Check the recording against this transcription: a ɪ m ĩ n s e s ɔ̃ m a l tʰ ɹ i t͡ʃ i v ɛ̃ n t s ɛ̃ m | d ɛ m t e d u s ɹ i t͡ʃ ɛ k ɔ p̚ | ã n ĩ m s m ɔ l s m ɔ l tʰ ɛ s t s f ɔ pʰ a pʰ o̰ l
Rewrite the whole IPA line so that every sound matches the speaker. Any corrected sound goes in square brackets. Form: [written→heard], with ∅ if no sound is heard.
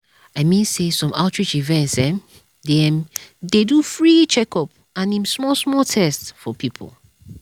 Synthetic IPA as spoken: a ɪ m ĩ n s e s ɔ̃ m a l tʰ ɹ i t͡ʃ i v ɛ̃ n t s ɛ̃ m | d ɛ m [t→d] e d u [s→f] ɹ i t͡ʃ ɛ k ɔ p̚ | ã n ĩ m s m ɔ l s m ɔ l tʰ ɛ s t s f ɔ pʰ [a→i] pʰ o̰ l